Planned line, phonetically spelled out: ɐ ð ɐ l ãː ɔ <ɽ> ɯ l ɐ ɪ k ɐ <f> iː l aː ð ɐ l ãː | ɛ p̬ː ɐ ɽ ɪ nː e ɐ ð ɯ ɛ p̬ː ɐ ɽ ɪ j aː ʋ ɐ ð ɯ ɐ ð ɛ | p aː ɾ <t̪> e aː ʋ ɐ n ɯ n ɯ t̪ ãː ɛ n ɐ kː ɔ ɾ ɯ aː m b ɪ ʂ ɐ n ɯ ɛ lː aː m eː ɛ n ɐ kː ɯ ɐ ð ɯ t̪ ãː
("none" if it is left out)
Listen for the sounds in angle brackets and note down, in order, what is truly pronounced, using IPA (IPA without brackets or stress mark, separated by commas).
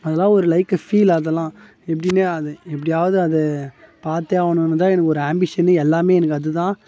ɾ, f, t̪